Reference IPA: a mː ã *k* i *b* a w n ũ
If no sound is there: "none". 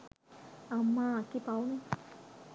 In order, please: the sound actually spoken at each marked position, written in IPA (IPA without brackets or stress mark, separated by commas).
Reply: k, p